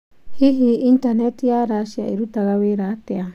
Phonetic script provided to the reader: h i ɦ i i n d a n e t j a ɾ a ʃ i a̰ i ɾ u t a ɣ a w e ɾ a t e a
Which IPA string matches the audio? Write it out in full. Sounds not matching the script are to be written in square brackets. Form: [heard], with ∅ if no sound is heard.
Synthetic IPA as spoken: h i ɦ i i n [t] a n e t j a ɾ a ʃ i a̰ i ɾ u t a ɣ a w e ɾ a t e a